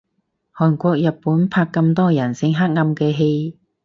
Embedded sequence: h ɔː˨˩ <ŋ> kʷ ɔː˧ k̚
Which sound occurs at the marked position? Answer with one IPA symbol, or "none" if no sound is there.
n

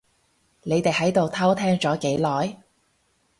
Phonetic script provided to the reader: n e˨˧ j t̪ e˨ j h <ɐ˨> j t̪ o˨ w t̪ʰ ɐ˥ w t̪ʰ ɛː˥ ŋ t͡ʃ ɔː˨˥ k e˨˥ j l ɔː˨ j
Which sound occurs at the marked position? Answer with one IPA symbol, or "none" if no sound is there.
ɐ˨˥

